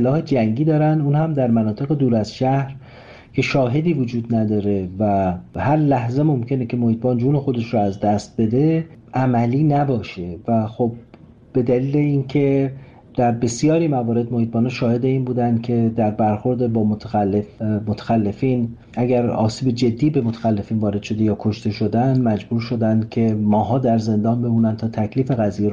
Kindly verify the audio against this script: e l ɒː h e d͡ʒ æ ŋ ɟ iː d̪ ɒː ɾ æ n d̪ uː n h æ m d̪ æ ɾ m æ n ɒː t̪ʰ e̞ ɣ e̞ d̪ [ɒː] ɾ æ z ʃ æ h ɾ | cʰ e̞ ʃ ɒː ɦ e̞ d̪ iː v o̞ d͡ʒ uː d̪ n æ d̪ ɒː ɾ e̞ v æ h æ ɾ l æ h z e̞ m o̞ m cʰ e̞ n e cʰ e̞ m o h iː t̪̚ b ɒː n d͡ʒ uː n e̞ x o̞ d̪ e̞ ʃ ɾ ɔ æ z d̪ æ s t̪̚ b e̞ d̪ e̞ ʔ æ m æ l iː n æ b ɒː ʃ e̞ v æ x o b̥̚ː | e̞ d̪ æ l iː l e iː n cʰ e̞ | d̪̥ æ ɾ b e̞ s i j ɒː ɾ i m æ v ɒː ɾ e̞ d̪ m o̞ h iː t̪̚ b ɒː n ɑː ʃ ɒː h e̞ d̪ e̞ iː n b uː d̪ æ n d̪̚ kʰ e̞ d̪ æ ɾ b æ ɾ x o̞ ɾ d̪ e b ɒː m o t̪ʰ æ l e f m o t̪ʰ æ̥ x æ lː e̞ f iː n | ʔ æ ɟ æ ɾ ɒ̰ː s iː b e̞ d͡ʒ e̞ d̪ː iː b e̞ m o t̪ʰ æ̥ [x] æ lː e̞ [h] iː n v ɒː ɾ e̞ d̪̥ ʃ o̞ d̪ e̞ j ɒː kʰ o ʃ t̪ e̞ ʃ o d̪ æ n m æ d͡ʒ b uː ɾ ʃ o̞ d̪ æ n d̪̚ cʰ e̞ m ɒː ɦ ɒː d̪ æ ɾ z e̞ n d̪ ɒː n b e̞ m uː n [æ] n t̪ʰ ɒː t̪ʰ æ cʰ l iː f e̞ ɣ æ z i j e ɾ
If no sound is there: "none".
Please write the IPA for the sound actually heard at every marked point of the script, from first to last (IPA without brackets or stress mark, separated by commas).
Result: uː, x, f, æ